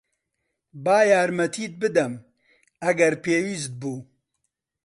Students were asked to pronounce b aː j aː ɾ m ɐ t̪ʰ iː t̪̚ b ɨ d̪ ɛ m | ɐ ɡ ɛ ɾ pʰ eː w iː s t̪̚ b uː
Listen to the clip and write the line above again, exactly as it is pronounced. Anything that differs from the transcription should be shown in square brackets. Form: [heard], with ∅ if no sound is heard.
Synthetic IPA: b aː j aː ɾ m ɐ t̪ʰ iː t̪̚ b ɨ d̪ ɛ m | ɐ ɡ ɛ ɾ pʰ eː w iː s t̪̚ b uː